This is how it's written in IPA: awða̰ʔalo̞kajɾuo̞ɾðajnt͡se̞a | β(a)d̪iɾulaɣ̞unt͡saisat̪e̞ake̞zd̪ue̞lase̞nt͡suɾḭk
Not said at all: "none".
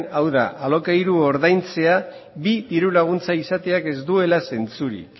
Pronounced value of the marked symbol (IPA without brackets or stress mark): i